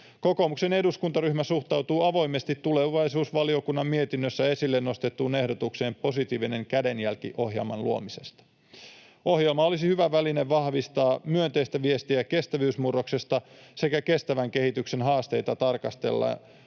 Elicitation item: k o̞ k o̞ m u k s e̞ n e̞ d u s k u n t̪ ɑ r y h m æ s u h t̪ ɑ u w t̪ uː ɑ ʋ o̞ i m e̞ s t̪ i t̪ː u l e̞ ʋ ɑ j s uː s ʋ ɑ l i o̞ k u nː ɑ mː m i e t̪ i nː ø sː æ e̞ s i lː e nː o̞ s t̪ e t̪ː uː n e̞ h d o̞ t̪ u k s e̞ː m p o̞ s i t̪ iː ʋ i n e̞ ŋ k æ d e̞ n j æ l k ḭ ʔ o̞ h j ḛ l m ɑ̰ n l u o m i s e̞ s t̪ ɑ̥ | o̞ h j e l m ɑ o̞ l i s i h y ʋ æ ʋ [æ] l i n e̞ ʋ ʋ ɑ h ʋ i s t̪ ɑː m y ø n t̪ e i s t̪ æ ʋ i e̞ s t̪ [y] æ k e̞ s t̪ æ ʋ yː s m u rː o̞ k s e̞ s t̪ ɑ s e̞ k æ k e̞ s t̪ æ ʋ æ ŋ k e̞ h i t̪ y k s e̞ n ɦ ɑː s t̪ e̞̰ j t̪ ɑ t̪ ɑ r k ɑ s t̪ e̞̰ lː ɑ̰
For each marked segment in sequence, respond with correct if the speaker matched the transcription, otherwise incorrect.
correct, incorrect: i

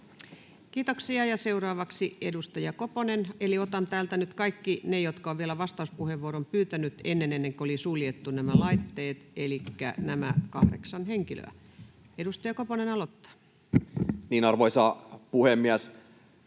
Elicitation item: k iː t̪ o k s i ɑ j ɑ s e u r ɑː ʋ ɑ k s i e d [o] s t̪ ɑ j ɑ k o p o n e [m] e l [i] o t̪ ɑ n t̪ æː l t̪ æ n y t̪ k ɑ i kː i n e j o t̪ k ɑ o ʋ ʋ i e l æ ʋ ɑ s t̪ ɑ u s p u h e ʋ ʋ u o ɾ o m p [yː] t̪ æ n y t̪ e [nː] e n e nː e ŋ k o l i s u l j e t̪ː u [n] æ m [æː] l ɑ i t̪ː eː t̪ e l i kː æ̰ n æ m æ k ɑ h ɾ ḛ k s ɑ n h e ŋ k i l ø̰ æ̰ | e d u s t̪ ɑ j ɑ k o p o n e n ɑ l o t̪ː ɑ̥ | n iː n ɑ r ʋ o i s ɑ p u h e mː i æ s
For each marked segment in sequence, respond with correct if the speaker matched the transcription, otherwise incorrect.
incorrect: u, incorrect: n, correct, correct, correct, correct, incorrect: æ

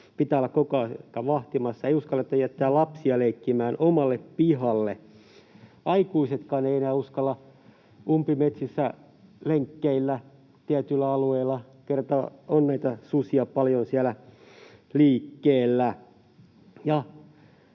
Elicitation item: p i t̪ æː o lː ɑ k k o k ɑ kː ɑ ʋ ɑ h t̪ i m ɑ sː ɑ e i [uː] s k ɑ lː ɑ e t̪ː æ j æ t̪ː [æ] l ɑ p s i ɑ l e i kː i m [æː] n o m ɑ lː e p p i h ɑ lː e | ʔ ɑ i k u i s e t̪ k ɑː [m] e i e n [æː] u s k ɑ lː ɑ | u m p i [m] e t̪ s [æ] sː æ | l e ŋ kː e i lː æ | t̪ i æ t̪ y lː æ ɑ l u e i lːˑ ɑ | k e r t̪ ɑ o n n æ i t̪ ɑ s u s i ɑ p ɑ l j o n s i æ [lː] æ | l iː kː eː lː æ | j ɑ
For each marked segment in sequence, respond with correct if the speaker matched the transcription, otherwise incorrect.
incorrect: u, incorrect: æː, correct, incorrect: n, correct, correct, incorrect: i, incorrect: l

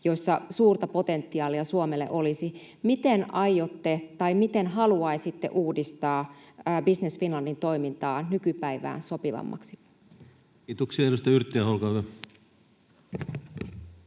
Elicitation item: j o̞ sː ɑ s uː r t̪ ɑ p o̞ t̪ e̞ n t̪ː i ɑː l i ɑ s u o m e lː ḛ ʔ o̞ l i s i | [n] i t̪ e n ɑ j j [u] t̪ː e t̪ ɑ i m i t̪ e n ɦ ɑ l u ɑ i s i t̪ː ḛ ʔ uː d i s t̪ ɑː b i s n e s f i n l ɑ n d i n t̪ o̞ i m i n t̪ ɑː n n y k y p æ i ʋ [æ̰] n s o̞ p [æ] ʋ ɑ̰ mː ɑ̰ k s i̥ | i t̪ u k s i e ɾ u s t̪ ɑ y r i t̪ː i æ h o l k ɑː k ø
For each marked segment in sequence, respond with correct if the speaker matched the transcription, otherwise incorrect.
incorrect: m, incorrect: o, incorrect: æ̰ː, incorrect: i

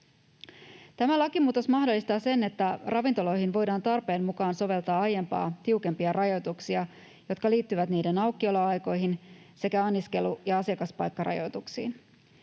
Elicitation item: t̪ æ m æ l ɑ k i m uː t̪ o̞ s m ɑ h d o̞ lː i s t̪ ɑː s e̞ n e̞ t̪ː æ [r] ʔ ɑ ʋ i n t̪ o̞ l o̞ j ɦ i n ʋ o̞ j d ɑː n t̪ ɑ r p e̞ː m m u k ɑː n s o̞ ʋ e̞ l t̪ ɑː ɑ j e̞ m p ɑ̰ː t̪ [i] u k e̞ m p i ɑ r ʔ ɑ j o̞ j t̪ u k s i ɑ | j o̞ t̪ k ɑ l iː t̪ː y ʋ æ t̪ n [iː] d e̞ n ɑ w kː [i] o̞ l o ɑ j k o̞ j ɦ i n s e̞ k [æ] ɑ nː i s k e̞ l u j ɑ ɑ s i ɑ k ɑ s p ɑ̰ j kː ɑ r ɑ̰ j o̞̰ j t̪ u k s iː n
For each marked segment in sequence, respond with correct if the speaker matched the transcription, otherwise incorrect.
correct, correct, correct, correct, correct

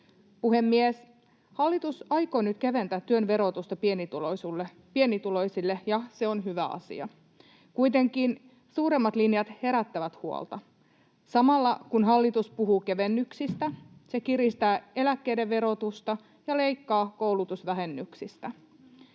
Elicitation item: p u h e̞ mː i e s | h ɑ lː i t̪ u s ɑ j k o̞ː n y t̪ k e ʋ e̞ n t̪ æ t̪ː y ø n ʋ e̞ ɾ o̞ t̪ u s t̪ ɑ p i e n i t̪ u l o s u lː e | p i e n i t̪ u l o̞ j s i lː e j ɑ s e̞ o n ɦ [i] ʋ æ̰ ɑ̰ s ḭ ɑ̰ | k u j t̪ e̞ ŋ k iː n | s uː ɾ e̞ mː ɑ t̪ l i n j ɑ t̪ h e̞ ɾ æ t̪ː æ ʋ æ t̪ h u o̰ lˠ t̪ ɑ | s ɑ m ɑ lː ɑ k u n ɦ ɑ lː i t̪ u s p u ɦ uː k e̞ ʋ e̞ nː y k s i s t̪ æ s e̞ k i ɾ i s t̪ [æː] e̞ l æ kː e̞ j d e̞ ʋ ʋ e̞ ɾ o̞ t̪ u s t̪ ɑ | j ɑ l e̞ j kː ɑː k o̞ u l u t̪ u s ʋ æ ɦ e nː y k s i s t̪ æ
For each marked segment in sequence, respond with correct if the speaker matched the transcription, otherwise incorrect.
incorrect: y, correct

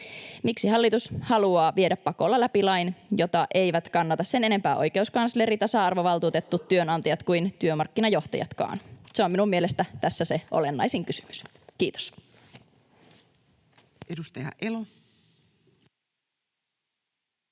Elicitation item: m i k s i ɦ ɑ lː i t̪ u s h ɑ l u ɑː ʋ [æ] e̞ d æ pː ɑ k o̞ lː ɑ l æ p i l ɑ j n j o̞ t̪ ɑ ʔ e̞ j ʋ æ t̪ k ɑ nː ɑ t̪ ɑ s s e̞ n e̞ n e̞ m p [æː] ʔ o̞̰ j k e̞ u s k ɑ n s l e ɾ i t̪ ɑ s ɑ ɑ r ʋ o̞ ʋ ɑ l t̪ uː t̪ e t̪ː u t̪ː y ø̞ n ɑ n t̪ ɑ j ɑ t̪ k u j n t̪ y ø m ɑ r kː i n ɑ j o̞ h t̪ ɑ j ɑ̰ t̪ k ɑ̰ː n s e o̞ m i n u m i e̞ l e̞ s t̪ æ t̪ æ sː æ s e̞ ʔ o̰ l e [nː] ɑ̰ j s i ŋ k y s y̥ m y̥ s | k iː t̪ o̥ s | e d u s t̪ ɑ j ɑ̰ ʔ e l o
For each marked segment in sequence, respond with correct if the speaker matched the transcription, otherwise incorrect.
incorrect: i, correct, correct

